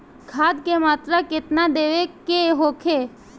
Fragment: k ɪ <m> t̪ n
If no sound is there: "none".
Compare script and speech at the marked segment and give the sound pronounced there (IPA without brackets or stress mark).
none